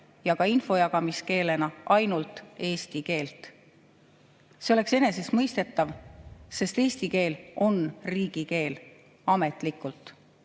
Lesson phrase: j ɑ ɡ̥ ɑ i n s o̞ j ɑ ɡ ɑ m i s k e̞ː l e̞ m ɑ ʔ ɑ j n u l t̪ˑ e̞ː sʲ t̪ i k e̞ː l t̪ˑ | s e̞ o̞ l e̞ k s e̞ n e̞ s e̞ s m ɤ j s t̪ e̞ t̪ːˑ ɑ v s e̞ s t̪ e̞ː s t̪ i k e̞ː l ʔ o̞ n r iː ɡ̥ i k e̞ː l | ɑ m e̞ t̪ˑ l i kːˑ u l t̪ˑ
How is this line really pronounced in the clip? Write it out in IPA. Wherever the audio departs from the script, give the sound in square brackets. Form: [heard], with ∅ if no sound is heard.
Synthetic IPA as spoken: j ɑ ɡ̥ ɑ i n [f] o̞ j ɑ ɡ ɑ m i s k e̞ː l e̞ [n] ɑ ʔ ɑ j n u l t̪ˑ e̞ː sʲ t̪ i k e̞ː l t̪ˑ | s e̞ o̞ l e̞ k s e̞ n e̞ s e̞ s m ɤ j s t̪ e̞ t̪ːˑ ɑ v s e̞ s t̪ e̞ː s t̪ i k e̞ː l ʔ o̞ n r iː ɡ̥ i k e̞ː l | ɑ m e̞ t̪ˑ l i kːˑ u l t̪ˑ